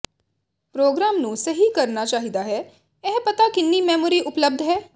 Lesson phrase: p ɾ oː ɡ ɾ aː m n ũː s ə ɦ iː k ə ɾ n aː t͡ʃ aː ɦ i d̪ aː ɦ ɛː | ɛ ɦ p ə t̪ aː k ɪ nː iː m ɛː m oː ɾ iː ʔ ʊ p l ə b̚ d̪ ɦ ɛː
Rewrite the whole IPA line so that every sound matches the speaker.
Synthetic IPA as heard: p ɾ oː ɡ ɾ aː m n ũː s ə ɦ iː k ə ɾ n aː t͡ʃ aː ɦ i d̪ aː ɦ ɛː | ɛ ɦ p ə t̪ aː k ɪ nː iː m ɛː m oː ɾ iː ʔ ʊ p l ə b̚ d̪ ɦ ɛː

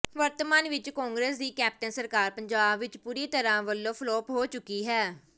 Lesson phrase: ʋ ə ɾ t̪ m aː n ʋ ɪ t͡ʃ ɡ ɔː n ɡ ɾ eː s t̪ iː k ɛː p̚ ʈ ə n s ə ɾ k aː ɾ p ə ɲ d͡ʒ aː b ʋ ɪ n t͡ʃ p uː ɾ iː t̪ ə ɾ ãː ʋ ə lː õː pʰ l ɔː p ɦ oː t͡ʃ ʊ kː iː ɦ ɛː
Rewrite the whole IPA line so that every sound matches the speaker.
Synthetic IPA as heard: ʋ ə ɾ t̪ m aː n ʋ ɪ t͡ʃ k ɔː ŋ ɡ ɾ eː s d̪ iː k ɛː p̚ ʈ ə n s ə ɾ k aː ɾ p ə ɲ d͡ʒ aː b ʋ ɪ t͡ʃ p uː ɾ iː t̪ ə ɾ ãː ʋ ə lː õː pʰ l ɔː p ɦ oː t͡ʃ ʊ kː iː ɦ ɛː

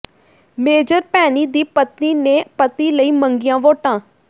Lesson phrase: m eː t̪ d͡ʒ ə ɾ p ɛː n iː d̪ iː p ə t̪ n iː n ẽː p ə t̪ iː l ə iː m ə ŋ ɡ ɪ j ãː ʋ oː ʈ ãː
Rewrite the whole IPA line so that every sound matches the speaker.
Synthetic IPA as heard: m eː d͡ʒ ə ɾ p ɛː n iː d̪ iː p ə t̪ n iː n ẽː p ə t̪ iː l ə iː m ə ŋ ɡ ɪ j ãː ʋ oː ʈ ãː

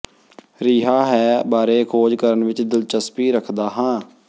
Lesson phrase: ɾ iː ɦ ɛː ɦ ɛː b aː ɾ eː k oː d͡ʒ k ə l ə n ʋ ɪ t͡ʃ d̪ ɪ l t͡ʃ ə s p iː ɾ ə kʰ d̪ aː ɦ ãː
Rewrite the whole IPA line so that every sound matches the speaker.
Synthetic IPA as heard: ɾ iː ɦ aː ɦ ɛː b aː ɾ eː kʰ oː d͡ʒ k ə ɾ ə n ʋ ɪ t͡ʃ d̪ ɪ l t͡ʃ ə s p iː ɾ ə kʰ d̪ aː ɦ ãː

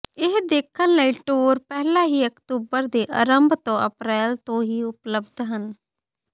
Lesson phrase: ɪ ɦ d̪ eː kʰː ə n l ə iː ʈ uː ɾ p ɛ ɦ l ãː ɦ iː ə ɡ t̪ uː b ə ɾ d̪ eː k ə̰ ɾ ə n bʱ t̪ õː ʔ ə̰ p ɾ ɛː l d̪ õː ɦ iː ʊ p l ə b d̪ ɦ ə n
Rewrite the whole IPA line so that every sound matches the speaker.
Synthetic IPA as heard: ɪ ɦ d̪ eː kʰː ə n l ə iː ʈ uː ɾ p ɛ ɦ l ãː ɦ iː ə k t̪ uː b ə ɾ d̪ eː ʔ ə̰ ɾ ə m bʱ t̪ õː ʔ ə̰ p ɾ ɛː l t̪ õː ɦ iː ʊ p l ə b d̪ ɦ ə n

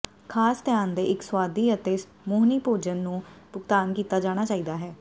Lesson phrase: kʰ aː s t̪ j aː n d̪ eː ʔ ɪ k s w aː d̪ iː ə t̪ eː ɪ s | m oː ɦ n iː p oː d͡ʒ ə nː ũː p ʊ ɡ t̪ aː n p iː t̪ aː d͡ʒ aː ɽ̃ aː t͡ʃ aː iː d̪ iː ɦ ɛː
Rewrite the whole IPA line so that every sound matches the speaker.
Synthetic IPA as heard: kʰ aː s t̪ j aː n d̪ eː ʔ ɪ k s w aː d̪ iː ə t̪ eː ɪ s | m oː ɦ n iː p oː d͡ʒ ə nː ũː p ʊ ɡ t̪ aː n k iː t̪ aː d͡ʒ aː ɽ̃ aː t͡ʃ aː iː d̪ aː ɦ ɛː

